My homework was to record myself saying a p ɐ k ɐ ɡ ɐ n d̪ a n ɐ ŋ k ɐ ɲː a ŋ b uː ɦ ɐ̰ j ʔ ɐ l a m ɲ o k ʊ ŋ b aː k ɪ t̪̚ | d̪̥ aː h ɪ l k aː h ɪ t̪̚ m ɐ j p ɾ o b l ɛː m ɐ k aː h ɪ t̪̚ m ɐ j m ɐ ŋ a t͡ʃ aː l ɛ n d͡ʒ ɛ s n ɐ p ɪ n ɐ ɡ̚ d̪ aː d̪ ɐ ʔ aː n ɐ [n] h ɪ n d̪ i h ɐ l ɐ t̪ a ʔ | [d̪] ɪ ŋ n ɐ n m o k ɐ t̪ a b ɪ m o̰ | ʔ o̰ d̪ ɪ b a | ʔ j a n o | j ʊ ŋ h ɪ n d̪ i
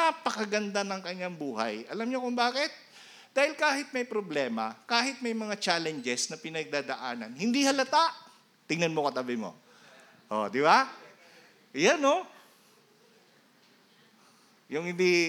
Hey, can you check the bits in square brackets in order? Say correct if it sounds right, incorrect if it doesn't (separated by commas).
correct, incorrect